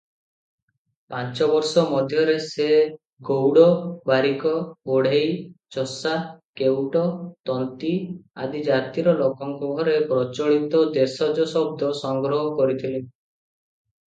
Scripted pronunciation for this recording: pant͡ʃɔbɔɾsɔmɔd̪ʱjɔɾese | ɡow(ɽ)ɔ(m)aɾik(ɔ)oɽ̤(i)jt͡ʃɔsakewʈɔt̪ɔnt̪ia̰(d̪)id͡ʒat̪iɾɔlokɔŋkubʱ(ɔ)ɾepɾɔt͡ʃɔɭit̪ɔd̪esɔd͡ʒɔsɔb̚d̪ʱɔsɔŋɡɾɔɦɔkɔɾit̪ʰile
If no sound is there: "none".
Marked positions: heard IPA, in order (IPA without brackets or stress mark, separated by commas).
ɽ, b, ɔ, e, d̪, ɔ